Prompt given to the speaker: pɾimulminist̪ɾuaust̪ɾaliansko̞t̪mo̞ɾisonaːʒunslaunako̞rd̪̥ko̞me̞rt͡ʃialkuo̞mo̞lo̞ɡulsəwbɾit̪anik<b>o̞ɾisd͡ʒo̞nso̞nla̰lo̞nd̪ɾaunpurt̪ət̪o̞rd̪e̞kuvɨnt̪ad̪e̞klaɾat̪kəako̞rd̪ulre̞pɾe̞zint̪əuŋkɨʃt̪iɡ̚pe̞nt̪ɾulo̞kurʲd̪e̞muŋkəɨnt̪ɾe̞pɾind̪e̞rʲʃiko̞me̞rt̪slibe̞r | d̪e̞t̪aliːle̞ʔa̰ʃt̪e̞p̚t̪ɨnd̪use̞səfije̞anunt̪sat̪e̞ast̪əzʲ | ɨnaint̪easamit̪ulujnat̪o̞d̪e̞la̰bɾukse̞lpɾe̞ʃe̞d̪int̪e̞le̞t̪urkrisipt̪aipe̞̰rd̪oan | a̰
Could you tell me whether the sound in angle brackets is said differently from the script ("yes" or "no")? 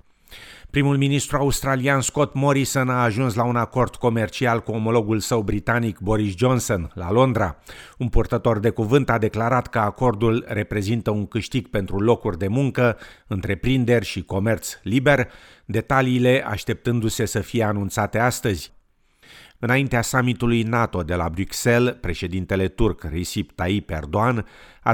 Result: no